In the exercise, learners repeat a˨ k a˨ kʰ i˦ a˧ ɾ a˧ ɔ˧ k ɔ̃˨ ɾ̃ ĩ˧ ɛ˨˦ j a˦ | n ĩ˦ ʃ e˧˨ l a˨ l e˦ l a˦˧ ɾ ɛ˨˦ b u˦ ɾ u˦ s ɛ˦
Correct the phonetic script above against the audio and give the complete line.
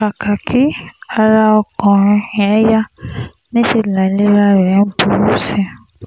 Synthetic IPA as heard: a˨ k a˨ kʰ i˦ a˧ ɾ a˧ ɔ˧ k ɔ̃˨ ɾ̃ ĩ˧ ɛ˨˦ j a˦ | n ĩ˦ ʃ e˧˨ l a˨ l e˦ ɾ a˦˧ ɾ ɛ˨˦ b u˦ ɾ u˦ s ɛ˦